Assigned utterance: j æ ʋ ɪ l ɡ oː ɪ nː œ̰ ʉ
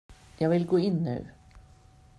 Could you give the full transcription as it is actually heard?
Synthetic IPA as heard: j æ ʋ ɪ l ɡ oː ɪ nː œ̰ ʉ